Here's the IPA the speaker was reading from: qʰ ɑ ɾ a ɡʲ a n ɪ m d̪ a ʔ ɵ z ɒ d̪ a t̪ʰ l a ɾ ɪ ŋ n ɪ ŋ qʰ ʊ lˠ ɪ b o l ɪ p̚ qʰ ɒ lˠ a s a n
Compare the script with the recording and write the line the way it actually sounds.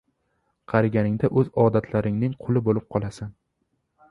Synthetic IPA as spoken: qʰ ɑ ɾ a ɡʲ a n ɪ ŋ d̪ a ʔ ɵ z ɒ d̪ a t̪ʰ l a ɾ ɪ ŋ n ɪ ŋ qʰ ʊ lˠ ɪ b o l ɪ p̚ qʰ ɒ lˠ a s a n